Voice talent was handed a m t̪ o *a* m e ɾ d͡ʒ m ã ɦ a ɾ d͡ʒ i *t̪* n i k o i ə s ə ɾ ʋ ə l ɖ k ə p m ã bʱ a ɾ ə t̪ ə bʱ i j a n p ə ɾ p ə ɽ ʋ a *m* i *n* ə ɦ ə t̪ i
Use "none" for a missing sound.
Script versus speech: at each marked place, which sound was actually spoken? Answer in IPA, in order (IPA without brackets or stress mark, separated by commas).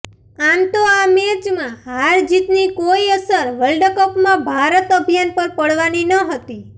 a, t̪, n, n